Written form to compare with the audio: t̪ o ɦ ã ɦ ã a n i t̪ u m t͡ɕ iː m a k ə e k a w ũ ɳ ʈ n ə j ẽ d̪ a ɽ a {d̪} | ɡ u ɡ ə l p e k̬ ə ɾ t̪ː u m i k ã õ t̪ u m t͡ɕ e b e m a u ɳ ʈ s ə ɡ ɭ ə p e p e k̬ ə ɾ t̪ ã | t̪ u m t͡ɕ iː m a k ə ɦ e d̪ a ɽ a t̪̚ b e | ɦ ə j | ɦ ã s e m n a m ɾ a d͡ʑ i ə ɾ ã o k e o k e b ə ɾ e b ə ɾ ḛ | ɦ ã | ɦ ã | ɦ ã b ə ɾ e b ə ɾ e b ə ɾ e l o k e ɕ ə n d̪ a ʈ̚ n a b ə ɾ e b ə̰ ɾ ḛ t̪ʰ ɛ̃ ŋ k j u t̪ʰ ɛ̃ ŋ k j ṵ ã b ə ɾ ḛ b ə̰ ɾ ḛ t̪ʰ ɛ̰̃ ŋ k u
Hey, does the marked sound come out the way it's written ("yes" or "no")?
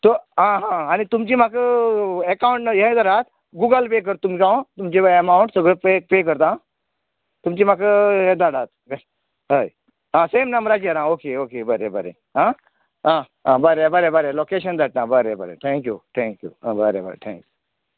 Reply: no